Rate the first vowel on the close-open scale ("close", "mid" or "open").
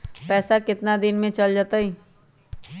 mid